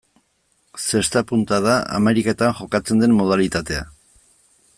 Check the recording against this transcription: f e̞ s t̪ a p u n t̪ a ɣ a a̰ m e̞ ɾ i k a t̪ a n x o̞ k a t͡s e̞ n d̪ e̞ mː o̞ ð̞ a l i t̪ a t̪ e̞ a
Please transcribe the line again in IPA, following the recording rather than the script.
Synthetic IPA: s e̞ s t̪ a p u n t̪ a ð a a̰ m e̞ ɾ i k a t̪ a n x o̞ k a t͡s e̞ n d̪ e̞ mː o̞ ð̞ a l i t̪ a t̪ e̞ a

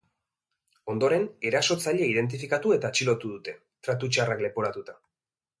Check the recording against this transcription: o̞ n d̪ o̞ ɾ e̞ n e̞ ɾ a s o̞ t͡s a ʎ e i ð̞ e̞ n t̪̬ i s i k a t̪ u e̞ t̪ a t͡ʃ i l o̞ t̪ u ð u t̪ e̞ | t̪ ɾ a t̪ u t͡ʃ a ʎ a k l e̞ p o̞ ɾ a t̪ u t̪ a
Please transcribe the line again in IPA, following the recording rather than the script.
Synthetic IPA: o̞ n d̪ o̞ ɾ e̞ n e̞ ɾ a s o̞ t͡s a ʎ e i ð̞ e̞ n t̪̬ i f i k a t̪ u e̞ t̪ a t͡ʃ i l o̞ t̪ u ð u t̪ e̞ | t̪ ɾ a t̪ u t͡ʃ a r a k l e̞ p o̞ ɾ a t̪ u t̪ a

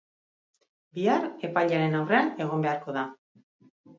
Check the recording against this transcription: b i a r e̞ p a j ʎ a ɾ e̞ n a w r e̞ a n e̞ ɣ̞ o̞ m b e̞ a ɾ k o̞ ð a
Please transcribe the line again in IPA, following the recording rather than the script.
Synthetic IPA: b i a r e̞ p a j ʎ a ɾ e̞ n a w r e̞ a n e̞ ɣ̞ o̞ m b e̞ a ɾ k o̞ ð a

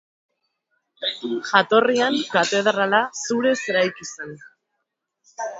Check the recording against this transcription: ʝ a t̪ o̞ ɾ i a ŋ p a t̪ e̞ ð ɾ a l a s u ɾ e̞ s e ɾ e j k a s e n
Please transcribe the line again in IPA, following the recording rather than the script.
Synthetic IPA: ʝ a t̪ o̞ r i a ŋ k a t̪ e̞ ð ɾ a l a s u ɾ e̞ s e ɾ a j k i s e n

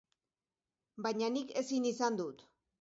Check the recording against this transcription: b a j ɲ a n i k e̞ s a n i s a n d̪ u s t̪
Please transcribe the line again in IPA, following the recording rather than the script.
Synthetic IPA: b a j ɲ a n i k e̞ s i n i s a n d̪ u t̪

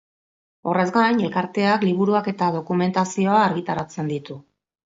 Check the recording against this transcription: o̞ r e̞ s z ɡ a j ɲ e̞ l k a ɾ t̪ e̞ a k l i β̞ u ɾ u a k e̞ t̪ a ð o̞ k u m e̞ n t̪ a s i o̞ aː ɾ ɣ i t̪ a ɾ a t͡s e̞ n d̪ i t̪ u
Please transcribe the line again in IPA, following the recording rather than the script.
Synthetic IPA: o̞ r e̞ z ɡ a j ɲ e̞ l k a ɾ t̪ e̞ a k l i β̞ u ɾ u a k e̞ t̪ a ð o̞ k u m e̞ n t̪ a s i o̞ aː ɾ ɣ i t̪ a ɾ a t͡s e̞ n d̪ i t̪ u

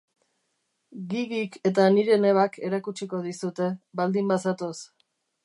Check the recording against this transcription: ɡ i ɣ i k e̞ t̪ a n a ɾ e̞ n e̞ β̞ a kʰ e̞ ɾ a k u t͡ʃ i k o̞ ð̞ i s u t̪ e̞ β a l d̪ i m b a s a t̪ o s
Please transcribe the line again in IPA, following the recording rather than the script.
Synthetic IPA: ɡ i ɣ i k e̞ t̪ a n i ɾ e̞ n e̞ β̞ a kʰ e̞ ɾ a k u t͡ʃ i k o̞ ð̞ i s u t̪ e̞ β a l d̪ i m b a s a t̪ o s

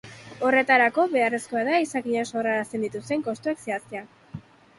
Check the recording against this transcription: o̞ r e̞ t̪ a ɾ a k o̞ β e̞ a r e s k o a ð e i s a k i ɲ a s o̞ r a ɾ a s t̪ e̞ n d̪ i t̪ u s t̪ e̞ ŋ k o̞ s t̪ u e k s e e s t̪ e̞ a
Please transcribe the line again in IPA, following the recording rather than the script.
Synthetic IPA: o̞ r e̞ t̪ a ɾ a k o̞ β e̞ a r e s k o a ð a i s a k i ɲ a s o̞ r a ɾ a s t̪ e̞ n d̪ i t̪ u s t̪ e̞ ŋ k o̞ s t̪ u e k s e a s t̪ e̞ a

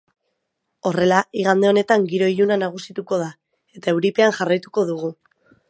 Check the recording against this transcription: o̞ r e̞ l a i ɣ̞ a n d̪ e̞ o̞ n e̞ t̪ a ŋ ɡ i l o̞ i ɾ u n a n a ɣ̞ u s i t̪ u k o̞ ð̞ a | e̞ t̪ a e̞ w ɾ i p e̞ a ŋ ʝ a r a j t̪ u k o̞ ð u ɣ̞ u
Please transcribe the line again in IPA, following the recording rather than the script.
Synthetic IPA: o̞ r e̞ l a i ɣ̞ a n d̪ e̞ o̞ n e̞ t̪ a ŋ ɡ i ɾ o̞ i ʎ u n a n a ɣ̞ u s i t̪ u k o̞ ð̞ a | e̞ t̪ a e̞ w ɾ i p e̞ a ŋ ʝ a r a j t̪ u k o̞ ð u ɣ̞ u

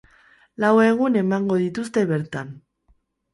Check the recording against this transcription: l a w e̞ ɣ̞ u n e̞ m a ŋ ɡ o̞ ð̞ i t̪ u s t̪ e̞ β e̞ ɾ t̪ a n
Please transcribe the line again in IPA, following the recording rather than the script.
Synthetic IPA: l a w e̞ ɣ̞ u n e̞ m a ŋ ɡ o̞ ð̞ i t̪ u s t̪ e̞ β e̞ ɾ t̪ a n

